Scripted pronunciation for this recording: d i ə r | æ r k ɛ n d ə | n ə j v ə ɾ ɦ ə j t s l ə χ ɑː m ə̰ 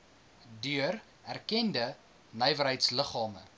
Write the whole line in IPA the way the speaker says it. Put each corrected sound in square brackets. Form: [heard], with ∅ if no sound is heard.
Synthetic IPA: d [y] ə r | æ r k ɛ n d ə | n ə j v ə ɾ ɦ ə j t s l ə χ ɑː m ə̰